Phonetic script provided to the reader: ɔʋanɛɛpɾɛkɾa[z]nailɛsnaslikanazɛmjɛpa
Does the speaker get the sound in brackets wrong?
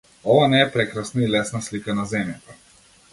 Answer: yes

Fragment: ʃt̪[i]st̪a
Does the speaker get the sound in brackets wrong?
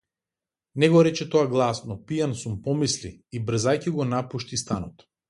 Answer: no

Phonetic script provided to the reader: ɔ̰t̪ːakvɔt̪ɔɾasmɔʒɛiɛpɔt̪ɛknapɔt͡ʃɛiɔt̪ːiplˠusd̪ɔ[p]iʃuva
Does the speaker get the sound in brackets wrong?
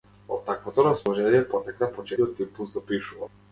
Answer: no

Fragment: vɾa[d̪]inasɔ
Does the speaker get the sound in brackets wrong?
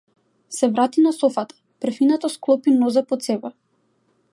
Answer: yes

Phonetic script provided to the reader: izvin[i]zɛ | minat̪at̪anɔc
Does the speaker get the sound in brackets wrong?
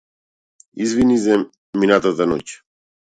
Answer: no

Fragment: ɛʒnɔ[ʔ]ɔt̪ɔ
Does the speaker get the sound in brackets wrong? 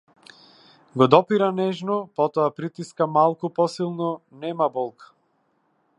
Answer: yes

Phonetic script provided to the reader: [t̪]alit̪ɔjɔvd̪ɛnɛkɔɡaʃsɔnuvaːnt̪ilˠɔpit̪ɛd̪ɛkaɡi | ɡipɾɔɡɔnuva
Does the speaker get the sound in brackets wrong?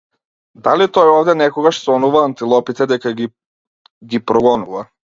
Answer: yes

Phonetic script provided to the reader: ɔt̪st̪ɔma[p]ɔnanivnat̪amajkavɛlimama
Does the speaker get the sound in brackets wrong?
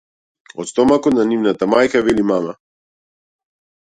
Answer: yes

